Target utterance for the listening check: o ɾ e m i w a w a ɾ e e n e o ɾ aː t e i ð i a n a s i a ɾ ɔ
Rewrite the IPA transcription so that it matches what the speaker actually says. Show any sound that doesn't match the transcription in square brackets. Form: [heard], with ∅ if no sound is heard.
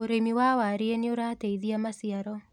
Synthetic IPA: o ɾ e m i w a w a ɾ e e n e o ɾ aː t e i ð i a [m] a s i a ɾ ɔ